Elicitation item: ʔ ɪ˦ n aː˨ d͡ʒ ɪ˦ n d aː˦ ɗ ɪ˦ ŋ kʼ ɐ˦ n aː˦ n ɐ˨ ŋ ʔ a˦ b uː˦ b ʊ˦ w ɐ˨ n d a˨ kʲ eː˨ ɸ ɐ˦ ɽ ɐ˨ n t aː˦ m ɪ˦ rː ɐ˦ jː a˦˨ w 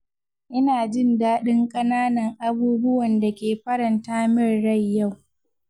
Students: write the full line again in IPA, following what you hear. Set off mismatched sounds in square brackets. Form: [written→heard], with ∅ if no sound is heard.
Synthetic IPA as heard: ʔ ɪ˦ n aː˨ d͡ʒ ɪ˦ n d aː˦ ɗ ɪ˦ ŋ kʼ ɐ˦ n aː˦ n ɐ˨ ŋ ʔ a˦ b uː˦ b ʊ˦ w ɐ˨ n d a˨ kʲ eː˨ ɸ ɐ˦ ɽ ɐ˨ n t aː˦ m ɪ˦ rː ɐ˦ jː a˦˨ w